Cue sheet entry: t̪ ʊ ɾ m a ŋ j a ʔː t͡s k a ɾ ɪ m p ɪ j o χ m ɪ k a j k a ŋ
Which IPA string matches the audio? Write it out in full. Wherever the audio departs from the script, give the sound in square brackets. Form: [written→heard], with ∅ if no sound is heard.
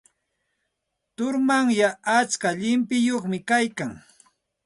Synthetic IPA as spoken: t̪ ʊ ɾ m a ŋ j a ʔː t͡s k a [ɾ→ʎ] ɪ m p ɪ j o χ m ɪ k a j k a ŋ